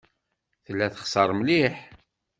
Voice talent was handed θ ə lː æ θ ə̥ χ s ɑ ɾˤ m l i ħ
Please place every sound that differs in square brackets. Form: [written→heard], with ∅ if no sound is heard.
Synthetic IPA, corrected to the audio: θ ə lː æ θ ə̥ χ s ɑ ɾˤ m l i ħ